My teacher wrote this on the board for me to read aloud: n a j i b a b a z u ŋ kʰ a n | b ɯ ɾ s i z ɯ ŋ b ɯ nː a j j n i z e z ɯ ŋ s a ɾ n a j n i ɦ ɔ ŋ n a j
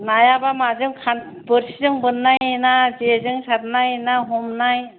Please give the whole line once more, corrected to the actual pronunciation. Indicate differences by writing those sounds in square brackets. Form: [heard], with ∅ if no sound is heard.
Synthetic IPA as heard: n a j [a] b a [m] a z [ɯ] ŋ kʰ a n | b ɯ ɾ s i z ɯ ŋ b ɯ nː a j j n [a] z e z ɯ ŋ s a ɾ n a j n [a] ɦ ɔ [m] n a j